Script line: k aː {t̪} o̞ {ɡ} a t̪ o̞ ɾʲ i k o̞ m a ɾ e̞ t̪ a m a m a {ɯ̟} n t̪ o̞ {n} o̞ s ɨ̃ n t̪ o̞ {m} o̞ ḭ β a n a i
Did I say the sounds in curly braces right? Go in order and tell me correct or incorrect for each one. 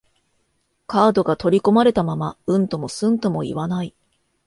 incorrect, correct, incorrect, incorrect, correct

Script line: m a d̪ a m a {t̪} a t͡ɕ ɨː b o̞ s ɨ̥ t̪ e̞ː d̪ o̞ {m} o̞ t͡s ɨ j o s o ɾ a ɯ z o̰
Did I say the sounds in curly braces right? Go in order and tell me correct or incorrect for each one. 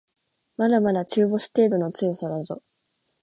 incorrect, incorrect

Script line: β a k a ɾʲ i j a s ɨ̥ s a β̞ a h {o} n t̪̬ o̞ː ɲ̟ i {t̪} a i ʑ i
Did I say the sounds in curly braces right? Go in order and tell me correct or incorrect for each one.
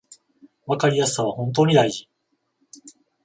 incorrect, incorrect

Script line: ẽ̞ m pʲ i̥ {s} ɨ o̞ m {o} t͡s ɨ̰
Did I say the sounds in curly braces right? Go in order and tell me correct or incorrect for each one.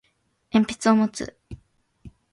incorrect, correct

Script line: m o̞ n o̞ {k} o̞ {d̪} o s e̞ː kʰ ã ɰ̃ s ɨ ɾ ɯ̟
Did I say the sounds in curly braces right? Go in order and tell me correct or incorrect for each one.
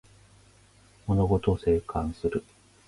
incorrect, incorrect

